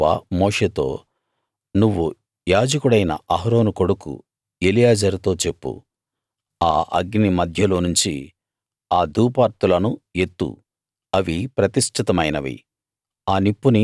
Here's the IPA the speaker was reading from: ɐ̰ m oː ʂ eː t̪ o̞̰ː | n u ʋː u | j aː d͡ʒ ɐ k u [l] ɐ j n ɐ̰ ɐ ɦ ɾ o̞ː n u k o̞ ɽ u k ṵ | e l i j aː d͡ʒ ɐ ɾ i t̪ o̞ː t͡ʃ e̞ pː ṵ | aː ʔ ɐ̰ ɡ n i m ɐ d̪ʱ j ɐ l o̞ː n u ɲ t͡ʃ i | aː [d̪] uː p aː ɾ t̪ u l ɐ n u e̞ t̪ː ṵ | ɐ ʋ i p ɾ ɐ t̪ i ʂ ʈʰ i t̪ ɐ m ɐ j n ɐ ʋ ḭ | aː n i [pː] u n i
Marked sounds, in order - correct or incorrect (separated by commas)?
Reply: incorrect, correct, correct